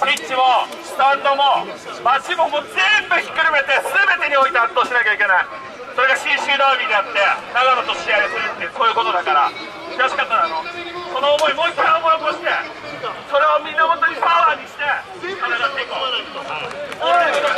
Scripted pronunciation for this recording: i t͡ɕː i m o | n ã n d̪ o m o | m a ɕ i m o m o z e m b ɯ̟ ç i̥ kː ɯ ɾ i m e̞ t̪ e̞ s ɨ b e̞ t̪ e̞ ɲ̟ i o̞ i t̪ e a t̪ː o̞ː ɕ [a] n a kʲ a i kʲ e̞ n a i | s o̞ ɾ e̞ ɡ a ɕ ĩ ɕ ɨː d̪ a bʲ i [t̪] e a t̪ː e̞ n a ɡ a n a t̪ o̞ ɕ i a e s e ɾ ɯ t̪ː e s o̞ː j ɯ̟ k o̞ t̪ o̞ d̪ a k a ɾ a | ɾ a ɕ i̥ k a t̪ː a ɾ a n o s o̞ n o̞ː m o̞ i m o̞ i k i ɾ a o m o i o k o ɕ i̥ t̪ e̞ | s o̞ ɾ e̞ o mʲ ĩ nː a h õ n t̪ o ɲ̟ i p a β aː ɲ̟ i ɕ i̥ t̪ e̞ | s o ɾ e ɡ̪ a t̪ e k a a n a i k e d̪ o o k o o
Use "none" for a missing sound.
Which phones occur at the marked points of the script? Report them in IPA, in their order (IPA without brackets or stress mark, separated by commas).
i, d̪